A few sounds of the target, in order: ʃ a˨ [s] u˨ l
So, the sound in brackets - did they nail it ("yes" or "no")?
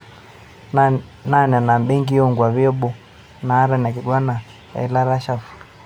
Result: no